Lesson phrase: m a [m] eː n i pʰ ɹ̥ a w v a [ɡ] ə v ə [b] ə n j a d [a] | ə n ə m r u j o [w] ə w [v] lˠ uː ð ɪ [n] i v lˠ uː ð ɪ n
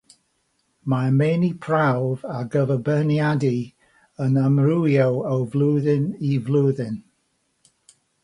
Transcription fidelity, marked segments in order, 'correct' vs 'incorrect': correct, correct, correct, incorrect: i, correct, correct, correct

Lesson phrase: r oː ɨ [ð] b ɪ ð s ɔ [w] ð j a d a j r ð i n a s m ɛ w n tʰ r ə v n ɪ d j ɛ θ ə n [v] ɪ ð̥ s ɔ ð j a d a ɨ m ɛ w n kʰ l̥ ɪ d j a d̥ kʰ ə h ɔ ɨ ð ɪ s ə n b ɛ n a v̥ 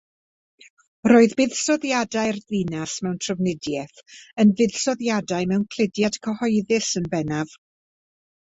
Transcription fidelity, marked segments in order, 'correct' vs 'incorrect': correct, incorrect: none, correct

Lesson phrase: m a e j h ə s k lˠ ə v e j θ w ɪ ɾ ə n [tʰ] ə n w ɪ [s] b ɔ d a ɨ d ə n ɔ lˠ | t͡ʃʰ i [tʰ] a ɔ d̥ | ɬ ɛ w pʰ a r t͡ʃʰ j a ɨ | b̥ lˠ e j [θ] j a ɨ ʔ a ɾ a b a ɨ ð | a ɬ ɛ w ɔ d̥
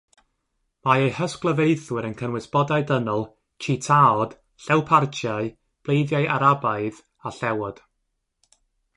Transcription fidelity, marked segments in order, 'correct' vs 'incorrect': incorrect: kʰ, correct, correct, incorrect: ð

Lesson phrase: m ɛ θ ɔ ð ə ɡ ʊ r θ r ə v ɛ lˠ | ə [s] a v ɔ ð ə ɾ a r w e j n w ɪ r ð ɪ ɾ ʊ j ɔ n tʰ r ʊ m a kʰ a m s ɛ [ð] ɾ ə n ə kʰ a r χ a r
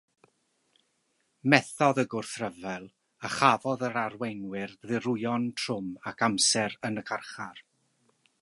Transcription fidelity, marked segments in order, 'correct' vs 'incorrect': incorrect: χ, incorrect: none

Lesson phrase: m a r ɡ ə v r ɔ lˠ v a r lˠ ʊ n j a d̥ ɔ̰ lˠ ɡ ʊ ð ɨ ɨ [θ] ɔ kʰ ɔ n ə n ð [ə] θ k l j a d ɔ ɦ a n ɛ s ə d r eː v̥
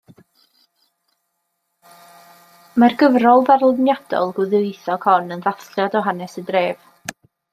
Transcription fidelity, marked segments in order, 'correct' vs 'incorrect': correct, incorrect: a

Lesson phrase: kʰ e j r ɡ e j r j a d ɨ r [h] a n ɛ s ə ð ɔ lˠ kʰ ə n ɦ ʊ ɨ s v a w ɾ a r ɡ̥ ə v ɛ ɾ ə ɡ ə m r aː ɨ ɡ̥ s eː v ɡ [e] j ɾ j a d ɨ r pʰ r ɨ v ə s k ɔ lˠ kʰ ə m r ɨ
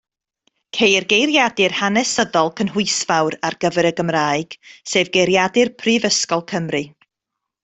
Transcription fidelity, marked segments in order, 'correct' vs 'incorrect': correct, correct

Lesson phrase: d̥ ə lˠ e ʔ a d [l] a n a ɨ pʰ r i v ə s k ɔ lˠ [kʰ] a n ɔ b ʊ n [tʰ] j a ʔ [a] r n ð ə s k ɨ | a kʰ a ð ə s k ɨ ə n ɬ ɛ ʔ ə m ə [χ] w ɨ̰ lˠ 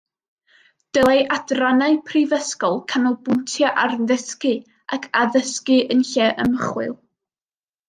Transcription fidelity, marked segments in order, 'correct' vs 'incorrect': incorrect: r, correct, correct, correct, correct

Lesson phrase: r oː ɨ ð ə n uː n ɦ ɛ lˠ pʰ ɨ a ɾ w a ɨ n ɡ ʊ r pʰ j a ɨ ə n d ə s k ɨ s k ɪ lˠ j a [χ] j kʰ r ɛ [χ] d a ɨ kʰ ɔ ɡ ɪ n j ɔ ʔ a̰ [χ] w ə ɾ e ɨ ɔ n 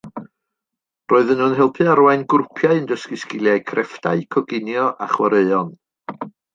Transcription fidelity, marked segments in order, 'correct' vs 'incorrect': incorrect: none, incorrect: f, correct

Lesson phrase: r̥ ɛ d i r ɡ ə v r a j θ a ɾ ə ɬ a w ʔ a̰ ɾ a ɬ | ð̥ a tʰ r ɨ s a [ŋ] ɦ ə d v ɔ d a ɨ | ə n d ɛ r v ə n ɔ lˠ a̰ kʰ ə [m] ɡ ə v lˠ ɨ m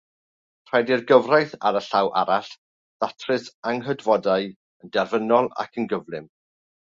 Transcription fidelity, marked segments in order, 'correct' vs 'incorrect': correct, incorrect: n

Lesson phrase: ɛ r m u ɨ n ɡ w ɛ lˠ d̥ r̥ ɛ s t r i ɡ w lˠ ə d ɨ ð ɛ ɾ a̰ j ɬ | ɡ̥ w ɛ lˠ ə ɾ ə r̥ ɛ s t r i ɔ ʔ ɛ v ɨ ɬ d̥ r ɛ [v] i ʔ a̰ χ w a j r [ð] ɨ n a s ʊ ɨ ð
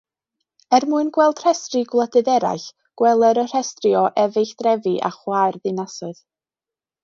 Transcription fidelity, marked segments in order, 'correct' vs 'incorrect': correct, correct

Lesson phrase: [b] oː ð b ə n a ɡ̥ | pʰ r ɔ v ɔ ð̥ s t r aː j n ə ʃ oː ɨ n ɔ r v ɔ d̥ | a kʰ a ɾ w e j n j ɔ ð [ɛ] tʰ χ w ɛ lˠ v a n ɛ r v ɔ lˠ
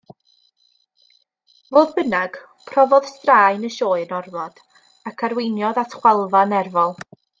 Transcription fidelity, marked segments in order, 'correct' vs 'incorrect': incorrect: v, incorrect: a

